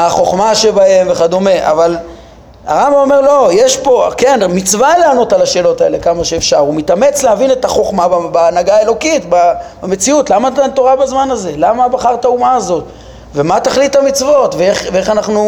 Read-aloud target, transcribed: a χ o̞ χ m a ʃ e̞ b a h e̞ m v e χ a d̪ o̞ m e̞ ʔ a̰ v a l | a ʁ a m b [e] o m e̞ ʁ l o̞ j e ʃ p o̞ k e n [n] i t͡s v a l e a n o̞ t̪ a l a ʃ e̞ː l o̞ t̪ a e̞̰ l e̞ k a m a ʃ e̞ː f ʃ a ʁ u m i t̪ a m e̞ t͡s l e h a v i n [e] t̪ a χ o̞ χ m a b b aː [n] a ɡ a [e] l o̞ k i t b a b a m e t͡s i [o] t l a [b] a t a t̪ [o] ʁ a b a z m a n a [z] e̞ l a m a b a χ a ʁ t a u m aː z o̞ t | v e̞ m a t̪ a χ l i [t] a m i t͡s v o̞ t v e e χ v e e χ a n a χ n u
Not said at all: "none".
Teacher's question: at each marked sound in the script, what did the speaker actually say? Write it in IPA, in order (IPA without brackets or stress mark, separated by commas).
a, m, e, n, e, u, m, o, z, t